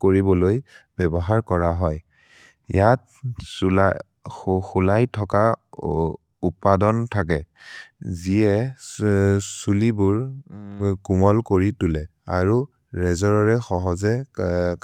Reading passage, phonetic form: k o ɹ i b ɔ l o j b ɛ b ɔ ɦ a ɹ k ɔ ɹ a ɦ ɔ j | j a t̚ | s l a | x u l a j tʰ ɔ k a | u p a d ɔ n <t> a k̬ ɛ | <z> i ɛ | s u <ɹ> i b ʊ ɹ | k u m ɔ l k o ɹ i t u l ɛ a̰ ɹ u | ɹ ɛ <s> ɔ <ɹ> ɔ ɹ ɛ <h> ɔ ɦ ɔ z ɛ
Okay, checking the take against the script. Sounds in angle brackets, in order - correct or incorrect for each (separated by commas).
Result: incorrect, correct, incorrect, incorrect, correct, incorrect